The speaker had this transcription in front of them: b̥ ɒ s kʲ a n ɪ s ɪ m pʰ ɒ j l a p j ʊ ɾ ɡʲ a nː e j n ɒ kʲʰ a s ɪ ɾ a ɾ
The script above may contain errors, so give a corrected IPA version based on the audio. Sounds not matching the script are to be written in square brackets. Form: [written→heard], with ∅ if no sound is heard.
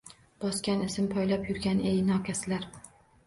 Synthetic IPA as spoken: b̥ ɒ s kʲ a n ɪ s ɪ m pʰ ɒ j l a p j ʊ ɾ ɡʲ a [nː→n] e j n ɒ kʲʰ a s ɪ [ɾ→l] a ɾ